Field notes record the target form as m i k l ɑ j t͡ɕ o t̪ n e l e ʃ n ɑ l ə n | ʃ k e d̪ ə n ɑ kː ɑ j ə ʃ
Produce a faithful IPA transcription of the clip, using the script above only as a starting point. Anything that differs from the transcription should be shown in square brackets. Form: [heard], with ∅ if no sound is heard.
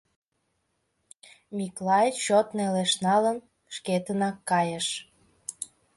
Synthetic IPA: m i k l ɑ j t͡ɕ o t̪ n e l e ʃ n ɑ l ə n | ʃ k e [t̪] ə n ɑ kː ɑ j ə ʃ